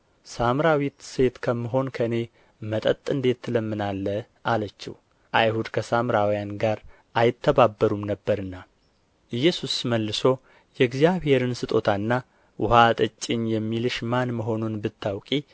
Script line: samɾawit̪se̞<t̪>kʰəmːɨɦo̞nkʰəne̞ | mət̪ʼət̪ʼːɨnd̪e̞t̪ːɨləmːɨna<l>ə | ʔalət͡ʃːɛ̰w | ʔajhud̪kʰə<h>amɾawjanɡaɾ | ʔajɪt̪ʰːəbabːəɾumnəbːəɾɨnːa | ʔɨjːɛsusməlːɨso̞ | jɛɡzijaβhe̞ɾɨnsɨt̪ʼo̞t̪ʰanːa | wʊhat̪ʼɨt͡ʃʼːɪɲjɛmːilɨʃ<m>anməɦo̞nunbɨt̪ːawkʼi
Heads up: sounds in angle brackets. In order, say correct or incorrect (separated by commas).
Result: correct, incorrect, incorrect, correct